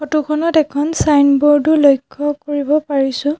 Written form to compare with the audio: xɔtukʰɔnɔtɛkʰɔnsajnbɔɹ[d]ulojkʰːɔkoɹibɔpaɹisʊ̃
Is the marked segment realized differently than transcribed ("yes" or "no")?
no